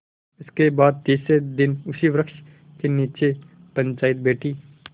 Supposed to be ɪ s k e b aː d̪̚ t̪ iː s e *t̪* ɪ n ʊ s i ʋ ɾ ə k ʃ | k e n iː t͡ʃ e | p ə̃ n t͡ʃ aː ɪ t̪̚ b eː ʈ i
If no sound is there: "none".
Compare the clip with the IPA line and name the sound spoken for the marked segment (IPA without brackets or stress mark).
d̪